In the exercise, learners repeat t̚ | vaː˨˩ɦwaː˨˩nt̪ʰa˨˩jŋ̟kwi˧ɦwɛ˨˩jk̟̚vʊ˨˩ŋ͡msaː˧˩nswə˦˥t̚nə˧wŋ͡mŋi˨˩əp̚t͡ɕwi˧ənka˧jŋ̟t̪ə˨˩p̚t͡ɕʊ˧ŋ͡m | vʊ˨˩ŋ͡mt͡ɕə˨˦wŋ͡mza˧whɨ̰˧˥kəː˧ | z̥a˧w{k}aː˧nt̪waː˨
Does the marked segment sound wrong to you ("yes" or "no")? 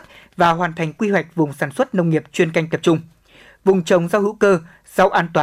yes